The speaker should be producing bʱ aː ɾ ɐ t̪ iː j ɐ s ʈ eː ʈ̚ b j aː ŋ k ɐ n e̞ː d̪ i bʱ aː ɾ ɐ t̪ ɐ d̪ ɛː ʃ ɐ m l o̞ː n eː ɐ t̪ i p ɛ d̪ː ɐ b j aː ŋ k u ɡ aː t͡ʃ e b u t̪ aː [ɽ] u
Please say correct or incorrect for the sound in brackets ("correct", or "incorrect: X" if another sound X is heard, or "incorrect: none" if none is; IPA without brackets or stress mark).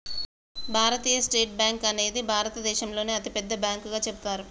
incorrect: ɾ